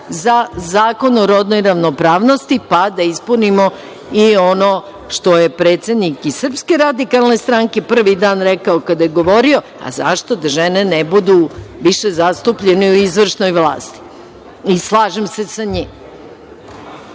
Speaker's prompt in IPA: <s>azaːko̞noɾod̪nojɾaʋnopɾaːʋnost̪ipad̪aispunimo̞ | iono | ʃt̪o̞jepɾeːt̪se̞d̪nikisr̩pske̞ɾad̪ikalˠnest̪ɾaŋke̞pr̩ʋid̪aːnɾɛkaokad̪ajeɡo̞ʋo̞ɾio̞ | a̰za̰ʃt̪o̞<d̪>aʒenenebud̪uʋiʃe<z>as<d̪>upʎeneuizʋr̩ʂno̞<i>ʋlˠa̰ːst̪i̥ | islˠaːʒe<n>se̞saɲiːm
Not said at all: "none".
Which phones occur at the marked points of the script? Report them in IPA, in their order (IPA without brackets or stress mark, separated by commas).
z, d̪, z, t̪, j, m